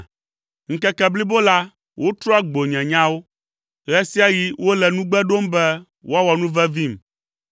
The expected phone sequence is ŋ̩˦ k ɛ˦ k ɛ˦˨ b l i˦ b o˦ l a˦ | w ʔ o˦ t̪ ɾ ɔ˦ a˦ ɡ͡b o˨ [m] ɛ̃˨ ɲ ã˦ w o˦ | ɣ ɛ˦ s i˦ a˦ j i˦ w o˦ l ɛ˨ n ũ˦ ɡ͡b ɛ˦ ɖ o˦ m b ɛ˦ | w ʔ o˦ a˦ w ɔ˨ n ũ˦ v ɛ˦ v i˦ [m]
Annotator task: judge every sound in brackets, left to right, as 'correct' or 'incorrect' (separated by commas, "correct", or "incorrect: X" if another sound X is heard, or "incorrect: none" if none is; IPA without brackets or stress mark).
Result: incorrect: ɲ, correct